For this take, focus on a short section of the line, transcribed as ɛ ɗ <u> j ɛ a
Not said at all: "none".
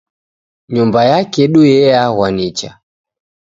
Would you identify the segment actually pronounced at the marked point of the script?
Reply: u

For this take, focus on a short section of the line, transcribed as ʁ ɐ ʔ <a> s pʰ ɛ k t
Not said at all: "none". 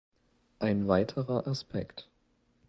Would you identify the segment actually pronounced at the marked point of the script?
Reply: a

